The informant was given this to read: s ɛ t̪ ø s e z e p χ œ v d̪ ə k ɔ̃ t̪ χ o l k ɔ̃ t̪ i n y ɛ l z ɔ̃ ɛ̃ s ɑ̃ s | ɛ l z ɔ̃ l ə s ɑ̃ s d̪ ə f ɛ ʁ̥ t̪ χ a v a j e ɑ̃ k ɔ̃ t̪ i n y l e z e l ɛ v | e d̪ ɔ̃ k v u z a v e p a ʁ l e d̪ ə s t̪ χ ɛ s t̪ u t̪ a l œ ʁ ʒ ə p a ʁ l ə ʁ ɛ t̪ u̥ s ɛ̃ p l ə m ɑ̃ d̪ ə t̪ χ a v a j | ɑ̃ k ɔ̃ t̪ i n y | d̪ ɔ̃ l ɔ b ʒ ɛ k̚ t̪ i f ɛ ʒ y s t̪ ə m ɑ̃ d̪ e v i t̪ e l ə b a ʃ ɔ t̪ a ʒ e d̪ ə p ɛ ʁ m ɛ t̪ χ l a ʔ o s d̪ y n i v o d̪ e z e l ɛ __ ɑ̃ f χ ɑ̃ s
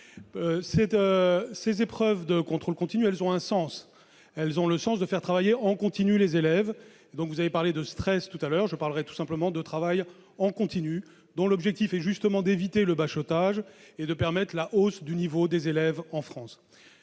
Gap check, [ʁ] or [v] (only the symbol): v